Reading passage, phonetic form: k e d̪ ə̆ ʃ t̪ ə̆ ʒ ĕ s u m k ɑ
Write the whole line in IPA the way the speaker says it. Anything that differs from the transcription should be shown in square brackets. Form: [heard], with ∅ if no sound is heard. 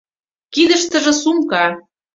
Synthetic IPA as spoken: k [i] d̪ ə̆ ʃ t̪ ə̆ ʒ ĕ s u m k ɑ